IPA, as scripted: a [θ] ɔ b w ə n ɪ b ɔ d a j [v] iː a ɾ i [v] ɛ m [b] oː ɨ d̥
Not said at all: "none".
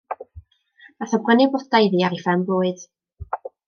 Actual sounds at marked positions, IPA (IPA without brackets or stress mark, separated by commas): θ, ð, f, b